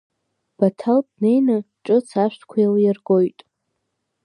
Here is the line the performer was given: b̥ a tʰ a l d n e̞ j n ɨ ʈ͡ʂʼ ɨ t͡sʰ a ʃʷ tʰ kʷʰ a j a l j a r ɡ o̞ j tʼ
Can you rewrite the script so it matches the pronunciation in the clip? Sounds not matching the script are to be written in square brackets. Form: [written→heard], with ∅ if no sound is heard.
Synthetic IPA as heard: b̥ a tʰ a l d n e̞ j n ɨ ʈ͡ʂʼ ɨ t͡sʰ a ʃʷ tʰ kʷʰ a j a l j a r ɡ o̞ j tʼ